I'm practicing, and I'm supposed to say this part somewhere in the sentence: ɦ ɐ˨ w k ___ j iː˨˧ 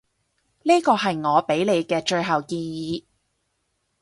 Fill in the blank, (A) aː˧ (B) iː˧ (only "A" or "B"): B